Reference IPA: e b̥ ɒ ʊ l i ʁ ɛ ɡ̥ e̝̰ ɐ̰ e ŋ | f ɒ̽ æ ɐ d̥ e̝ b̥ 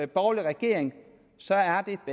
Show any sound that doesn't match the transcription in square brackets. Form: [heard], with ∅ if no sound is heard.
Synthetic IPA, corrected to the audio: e b̥ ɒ ʊ l i ʁ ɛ ɡ̥ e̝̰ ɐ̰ e ŋ | [s] ɒ̽ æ ɐ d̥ e̝ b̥